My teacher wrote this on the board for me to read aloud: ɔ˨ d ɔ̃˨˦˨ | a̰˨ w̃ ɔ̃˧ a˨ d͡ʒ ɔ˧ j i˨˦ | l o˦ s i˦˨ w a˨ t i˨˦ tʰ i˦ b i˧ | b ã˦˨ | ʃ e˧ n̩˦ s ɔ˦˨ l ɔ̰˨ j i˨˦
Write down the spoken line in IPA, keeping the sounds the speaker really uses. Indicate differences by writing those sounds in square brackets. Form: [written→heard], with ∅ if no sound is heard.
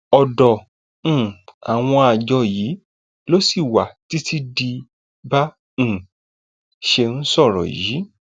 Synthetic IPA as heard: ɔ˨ d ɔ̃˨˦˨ | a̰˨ w̃ ɔ̃˧ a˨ d͡ʒ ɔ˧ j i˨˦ | l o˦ s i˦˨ w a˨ t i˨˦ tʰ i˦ [b→d] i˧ | b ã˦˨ | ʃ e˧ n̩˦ s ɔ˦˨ [l→ɾ] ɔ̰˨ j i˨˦